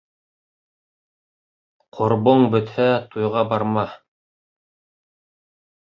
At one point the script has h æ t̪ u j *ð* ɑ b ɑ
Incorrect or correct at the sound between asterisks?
incorrect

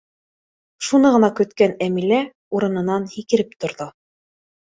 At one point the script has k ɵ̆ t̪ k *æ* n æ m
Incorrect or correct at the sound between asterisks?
correct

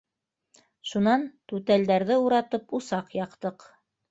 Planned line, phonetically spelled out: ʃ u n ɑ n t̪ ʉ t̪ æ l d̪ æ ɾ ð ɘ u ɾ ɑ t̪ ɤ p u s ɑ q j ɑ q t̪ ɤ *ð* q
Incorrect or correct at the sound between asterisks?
incorrect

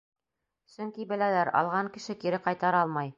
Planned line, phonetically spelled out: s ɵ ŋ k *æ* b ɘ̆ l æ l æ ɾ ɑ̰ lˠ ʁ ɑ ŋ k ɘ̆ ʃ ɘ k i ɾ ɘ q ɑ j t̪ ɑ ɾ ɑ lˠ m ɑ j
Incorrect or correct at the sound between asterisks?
incorrect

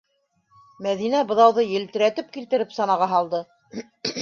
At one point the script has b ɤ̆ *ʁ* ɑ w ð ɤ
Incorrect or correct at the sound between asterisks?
incorrect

